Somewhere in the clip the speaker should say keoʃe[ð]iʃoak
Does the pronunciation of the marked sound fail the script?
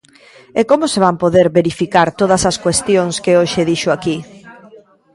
no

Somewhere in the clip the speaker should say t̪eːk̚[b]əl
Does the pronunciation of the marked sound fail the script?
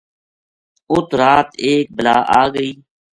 no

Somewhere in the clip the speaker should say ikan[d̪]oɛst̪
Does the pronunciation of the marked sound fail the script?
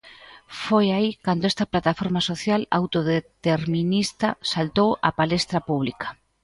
no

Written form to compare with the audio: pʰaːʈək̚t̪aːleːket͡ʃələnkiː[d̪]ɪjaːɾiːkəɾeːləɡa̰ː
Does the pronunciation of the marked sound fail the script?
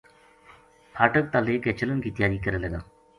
yes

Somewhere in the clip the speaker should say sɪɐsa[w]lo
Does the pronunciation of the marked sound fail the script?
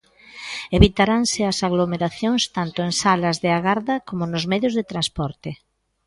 yes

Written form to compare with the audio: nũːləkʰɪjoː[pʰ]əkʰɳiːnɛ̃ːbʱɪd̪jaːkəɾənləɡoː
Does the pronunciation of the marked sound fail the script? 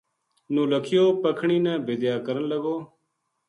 yes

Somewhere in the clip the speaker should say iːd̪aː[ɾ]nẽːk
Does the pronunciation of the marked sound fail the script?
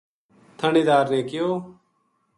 no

